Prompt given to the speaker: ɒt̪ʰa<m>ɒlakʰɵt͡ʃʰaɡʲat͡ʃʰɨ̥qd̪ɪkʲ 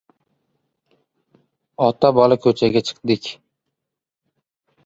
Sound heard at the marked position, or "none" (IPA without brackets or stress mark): b